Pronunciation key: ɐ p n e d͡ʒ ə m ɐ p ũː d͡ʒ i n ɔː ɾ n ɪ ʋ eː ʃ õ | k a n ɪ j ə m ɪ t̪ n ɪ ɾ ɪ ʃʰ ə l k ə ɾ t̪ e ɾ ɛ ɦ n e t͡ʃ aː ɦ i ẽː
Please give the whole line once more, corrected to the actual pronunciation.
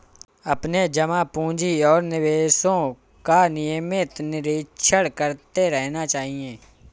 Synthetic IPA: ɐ p n e d͡ʒ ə m a p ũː d͡ʒ i ɔː ɾ n ɪ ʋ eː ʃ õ | k a n ɪ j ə m ɪ t̪ n ɪ ɾ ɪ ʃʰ ə ɽ k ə ɾ t̪ e ɾ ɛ ɦ n a t͡ʃ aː ɦ i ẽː

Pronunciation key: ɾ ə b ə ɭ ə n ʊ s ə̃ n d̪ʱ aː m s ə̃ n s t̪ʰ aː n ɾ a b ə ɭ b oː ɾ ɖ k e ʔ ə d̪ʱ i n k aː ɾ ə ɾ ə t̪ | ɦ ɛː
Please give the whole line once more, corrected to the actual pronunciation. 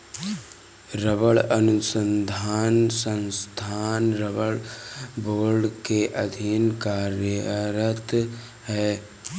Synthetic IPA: ɾ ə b ə ɭ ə n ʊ s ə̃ n d̪ʱ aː n s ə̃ n s t̪ʰ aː n ɾ ə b ə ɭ b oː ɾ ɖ k e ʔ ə d̪ʱ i n k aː ɾ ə ɾ ə t̪ | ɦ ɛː

